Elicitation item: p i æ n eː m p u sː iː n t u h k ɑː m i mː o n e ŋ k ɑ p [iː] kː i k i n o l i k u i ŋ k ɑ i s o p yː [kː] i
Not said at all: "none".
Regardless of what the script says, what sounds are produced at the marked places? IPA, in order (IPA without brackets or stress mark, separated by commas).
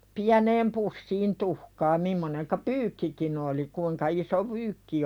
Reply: yː, kː